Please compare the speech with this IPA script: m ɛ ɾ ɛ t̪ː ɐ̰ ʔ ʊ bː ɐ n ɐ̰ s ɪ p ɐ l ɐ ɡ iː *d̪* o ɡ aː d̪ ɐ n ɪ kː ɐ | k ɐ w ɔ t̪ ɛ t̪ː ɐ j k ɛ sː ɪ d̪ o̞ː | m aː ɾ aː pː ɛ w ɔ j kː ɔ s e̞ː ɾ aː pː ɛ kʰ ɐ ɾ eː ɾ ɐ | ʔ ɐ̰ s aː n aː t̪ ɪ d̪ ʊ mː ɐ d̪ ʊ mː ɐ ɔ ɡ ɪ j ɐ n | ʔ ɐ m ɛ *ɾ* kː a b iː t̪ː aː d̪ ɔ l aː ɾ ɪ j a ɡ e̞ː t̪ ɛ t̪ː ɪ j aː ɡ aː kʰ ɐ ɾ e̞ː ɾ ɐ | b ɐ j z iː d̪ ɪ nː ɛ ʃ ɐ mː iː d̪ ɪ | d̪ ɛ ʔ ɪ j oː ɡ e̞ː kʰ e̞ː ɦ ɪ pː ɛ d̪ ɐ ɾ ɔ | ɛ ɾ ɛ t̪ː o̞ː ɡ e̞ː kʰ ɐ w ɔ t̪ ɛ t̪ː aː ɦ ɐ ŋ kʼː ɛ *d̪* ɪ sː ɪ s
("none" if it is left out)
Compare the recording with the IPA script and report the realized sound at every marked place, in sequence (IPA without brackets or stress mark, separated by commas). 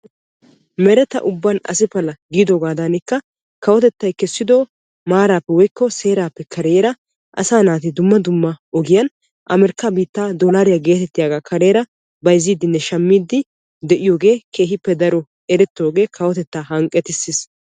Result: d̪, ɾ, t̪